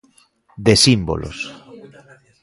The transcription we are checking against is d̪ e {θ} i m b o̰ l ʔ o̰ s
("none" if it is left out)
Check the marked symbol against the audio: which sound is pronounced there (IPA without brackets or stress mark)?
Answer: s